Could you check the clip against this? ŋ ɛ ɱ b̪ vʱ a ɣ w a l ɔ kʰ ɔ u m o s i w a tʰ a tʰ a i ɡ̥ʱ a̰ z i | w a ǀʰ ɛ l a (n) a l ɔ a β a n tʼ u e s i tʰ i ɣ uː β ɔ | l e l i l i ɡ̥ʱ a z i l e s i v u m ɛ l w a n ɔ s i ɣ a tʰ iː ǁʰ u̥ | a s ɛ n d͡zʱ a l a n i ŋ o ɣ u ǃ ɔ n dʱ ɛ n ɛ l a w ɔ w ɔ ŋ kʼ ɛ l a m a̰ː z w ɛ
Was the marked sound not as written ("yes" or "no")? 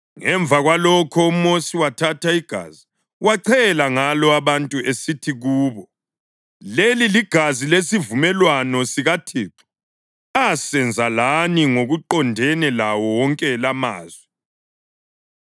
yes